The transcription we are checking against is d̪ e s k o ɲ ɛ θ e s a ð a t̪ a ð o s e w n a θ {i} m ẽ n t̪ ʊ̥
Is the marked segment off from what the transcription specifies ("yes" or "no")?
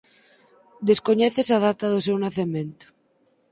yes